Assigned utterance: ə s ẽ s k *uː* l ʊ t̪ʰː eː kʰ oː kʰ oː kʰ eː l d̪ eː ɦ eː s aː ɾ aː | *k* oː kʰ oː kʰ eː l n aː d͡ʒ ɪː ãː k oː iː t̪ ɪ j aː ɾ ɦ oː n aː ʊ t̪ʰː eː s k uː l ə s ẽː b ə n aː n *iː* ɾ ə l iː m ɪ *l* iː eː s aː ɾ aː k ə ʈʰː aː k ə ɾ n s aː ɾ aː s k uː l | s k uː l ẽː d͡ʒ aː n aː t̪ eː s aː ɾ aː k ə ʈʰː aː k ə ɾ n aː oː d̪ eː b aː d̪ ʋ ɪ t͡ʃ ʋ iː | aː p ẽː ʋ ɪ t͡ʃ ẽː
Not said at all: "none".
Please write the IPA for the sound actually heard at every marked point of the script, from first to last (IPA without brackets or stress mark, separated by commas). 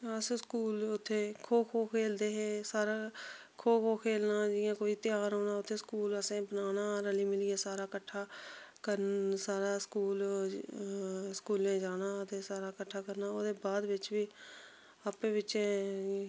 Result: uː, kʰ, aː, l